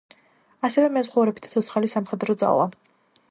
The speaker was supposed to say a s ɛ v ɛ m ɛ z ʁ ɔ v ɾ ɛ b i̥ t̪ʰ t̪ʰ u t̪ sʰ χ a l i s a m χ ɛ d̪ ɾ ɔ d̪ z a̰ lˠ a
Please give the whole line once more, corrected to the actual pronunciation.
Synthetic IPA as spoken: a s ɛ v ɛ m ɛ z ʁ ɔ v ɾ ɛ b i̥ t̪ʰ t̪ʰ ɔ t̪ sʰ χ a l i s a m χ ɛ d̪ ɾ ɔ d̪ z a̰ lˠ a